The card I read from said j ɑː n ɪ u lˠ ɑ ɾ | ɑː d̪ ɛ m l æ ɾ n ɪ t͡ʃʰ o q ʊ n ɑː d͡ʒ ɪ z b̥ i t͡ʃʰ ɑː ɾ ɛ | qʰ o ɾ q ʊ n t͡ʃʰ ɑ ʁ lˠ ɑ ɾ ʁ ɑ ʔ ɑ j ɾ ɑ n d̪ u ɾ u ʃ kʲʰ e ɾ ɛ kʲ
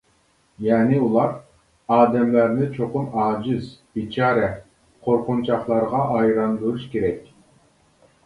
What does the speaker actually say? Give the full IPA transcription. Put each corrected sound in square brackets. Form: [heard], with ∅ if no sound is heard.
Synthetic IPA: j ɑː n ɪ u lˠ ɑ ɾ | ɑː d̪ ɛ m l æ ɾ n ɪ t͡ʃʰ o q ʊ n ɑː d͡ʒ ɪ z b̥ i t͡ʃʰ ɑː ɾ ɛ | qʰ o ɾ q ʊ n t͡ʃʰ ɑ [χ] lˠ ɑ ɾ ʁ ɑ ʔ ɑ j ɾ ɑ n d̪ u ɾ u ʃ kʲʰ e ɾ ɛ kʲ